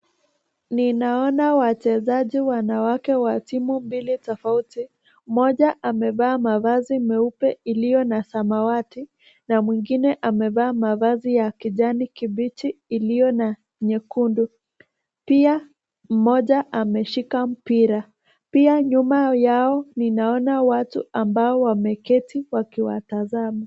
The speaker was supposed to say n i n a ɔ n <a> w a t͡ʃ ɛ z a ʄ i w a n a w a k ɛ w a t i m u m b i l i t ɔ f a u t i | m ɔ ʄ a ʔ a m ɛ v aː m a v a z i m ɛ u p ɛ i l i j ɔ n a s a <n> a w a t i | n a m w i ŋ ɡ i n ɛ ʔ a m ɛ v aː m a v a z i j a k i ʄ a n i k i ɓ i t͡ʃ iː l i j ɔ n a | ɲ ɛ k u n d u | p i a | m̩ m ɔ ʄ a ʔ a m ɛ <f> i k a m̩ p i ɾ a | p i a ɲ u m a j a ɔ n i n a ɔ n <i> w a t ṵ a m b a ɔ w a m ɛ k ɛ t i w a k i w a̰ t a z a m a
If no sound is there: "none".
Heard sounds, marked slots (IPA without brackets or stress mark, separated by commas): a, m, ʃ, a